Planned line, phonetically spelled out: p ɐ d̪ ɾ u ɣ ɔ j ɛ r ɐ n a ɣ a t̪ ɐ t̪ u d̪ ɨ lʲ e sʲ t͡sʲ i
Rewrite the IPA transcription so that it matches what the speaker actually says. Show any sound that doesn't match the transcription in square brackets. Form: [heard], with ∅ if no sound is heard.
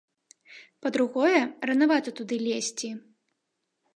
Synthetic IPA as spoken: p ɐ d̪ ɾ u ɣ ɔ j ɛ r ɐ n a [v] a t̪ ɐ t̪ u d̪ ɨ lʲ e sʲ t͡sʲ i

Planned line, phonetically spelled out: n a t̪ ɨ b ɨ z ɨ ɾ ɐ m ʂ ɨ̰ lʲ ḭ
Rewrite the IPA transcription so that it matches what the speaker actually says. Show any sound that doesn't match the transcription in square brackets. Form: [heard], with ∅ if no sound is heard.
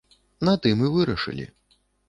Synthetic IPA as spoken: n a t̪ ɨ [m] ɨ [v] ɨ ɾ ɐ [∅] ʂ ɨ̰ lʲ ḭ

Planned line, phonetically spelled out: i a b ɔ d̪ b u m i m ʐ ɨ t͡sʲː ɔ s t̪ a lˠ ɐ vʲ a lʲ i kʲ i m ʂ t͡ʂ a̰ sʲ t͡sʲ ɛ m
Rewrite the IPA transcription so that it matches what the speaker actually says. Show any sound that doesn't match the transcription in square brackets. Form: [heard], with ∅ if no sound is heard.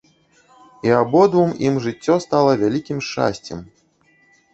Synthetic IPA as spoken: i a b ɔ d̪ [v] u m i m ʐ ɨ t͡sʲː ɔ s t̪ a lˠ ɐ vʲ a lʲ i kʲ i m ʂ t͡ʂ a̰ sʲ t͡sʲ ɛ m

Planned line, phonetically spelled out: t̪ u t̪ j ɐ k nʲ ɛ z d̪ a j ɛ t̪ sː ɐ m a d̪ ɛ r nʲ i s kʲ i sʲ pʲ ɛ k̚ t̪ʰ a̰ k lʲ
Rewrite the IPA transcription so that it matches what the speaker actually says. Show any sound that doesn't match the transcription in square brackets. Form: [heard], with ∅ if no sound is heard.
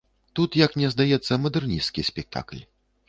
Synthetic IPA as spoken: t̪ u t̪ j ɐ k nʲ ɛ z d̪ a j ɛ t̪ sː ɐ m [ɐ] d̪ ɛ r nʲ i s kʲ i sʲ pʲ ɛ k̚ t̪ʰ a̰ k lʲ

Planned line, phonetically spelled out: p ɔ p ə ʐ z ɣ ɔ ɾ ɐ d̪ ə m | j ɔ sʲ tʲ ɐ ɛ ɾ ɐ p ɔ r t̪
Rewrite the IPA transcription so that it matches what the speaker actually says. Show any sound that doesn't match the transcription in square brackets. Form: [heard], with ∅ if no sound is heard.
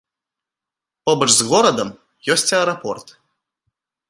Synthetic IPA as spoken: p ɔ [b] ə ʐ z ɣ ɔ ɾ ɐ d̪ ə m | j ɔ sʲ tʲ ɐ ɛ ɾ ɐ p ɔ r t̪

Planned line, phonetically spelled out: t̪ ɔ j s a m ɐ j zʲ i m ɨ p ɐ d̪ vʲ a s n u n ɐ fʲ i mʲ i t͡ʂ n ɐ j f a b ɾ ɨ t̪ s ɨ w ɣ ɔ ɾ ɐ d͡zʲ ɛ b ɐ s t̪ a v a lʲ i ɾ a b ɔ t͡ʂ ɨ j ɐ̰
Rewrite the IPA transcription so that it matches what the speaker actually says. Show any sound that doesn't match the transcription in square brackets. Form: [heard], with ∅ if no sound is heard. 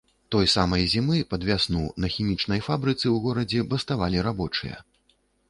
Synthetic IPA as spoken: t̪ ɔ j s a m ɐ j zʲ i m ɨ p ɐ d̪ vʲ a s n u n ɐ [xʲ] i mʲ i t͡ʂ n ɐ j f a b ɾ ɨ t̪ s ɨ w ɣ ɔ ɾ ɐ d͡zʲ ɛ b ɐ s t̪ a v a lʲ i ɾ a b ɔ t͡ʂ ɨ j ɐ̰

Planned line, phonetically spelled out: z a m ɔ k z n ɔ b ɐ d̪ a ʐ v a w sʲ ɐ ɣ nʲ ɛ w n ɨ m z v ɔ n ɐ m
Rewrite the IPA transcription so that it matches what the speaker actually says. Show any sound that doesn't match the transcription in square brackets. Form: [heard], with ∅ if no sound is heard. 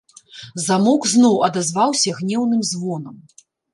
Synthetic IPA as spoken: z a m ɔ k z n ɔ [w] ɐ d̪ a [z] v a w sʲ ɐ ɣ nʲ ɛ w n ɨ m z v ɔ n ɐ m

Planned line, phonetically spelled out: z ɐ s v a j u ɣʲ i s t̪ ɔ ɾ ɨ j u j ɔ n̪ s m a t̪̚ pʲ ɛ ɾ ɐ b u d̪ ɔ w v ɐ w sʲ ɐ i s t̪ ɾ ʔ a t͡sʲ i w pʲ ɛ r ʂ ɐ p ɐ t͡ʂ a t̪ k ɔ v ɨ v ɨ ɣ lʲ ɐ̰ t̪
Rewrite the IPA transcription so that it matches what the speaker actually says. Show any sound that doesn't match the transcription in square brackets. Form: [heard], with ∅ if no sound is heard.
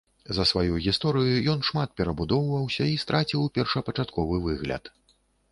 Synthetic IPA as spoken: z ɐ s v a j u ɣʲ i s t̪ ɔ ɾ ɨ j u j ɔ n̪ [ʂ] m a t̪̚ pʲ ɛ ɾ ɐ b u d̪ ɔ w v ɐ w sʲ ɐ i s t̪ ɾ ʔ a t͡sʲ i w pʲ ɛ r ʂ ɐ p ɐ t͡ʂ a t̪ k ɔ v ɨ v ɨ ɣ lʲ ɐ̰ t̪

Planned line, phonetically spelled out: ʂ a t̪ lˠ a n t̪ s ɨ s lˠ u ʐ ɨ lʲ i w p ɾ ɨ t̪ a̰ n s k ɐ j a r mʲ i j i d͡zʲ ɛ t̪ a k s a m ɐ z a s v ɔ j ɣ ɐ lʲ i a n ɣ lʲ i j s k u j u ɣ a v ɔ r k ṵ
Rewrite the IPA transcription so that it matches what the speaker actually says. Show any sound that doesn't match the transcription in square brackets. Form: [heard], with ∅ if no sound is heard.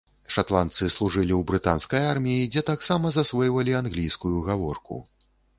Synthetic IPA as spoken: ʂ a t̪ lˠ a n t̪ s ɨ s lˠ u ʐ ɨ lʲ i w [b] ɾ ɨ t̪ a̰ n s k ɐ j a r mʲ i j i d͡zʲ ɛ t̪ a k s a m ɐ z a s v ɔ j [v] ɐ lʲ i a n ɣ lʲ i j s k u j u ɣ a v ɔ r k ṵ

